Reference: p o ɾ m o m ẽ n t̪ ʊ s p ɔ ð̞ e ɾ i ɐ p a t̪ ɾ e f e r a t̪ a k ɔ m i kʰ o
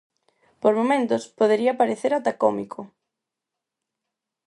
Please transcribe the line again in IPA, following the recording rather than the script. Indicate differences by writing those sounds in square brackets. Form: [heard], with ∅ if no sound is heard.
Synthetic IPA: p o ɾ m o m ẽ n t̪ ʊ s p [o] ð̞ e ɾ i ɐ p a [∅] ɾ e [θ] e [ɾ] a t̪ a k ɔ m i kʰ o